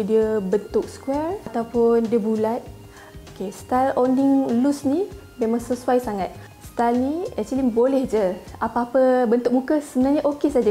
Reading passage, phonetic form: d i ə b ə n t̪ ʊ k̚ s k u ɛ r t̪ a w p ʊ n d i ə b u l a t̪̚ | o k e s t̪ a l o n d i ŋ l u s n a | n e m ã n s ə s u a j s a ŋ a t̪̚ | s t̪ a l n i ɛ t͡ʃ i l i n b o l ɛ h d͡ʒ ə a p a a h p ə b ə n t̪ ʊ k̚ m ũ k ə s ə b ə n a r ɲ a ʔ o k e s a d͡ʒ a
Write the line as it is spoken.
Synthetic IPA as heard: d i ə b ə n t̪ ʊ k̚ s k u ɛ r t̪ a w p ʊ n d i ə b u l a t̪̚ | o k e s t̪ a l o n d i ŋ l u s n i | m e m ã ŋ s ə s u a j s a ŋ a t̪̚ | s t̪ a l n i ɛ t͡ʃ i l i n b o l ɛ h d͡ʒ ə a p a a p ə b ə n t̪ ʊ k̚ m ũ k ə s ə b ə n a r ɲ a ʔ o k e s a d͡ʒ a